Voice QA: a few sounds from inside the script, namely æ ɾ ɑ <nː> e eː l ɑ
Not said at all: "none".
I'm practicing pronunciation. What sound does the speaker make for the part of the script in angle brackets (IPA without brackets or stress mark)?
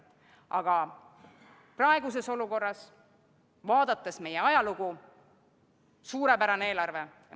n